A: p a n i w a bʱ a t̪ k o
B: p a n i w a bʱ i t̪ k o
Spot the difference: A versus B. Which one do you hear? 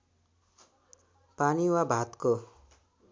A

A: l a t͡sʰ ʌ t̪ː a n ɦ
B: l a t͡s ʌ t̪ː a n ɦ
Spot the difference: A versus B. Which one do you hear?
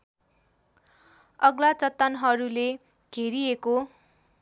B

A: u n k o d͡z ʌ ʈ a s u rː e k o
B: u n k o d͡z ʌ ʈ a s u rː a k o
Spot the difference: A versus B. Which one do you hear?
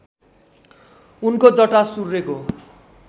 A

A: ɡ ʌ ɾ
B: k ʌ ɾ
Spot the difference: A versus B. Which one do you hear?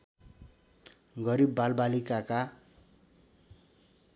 A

